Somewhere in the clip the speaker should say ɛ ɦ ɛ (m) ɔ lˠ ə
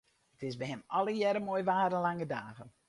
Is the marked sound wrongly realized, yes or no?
no